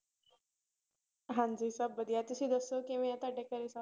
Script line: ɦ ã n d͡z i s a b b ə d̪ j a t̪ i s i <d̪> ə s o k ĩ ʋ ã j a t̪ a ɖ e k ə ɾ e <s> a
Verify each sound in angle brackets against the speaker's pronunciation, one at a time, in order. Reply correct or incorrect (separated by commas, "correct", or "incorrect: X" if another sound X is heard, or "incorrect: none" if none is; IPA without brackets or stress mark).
correct, correct